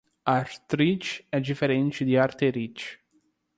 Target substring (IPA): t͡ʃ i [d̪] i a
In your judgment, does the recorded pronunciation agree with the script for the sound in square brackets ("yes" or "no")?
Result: yes